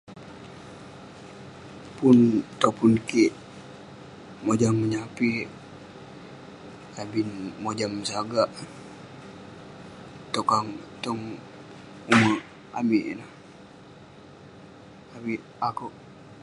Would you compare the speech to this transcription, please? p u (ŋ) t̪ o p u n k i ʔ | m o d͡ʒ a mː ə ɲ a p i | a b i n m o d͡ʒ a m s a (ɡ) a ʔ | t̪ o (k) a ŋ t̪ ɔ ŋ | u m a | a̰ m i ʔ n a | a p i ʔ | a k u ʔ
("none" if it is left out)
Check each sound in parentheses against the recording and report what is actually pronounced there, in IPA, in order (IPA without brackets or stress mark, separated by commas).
n, ɡ, k